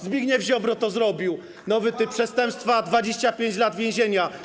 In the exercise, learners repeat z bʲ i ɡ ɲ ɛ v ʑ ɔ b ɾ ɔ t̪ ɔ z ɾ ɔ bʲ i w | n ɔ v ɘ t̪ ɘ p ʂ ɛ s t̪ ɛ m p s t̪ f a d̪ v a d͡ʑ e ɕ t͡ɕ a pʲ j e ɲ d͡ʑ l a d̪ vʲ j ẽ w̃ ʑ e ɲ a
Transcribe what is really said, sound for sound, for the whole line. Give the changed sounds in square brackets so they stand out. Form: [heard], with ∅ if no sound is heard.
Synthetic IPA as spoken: z bʲ i ɡ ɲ ɛ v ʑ ɔ b ɾ ɔ t̪ ɔ z ɾ ɔ bʲ i w | n ɔ v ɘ t̪ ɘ p ʂ ɛ s t̪ ɛ m p s t̪ f a d̪ v a d͡ʑ e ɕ t͡ɕ a pʲ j e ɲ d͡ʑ l a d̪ vʲ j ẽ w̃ ʑ e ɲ a